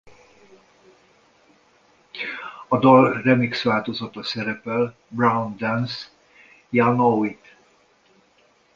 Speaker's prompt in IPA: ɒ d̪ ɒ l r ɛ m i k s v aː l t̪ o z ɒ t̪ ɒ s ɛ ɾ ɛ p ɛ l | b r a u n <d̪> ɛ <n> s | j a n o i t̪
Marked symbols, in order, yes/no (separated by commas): yes, yes